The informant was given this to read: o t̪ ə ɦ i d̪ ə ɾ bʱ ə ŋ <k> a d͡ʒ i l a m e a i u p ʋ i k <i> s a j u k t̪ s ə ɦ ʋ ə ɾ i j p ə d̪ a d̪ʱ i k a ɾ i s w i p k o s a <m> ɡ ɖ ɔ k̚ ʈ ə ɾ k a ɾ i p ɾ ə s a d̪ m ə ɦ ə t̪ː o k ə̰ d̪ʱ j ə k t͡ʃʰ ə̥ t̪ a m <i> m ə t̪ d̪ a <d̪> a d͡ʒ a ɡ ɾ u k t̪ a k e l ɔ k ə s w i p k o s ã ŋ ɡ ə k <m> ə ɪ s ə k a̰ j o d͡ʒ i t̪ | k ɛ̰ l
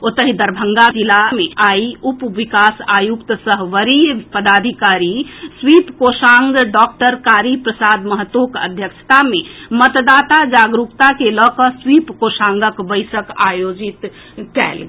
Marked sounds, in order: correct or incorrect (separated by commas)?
incorrect, incorrect, incorrect, incorrect, incorrect, incorrect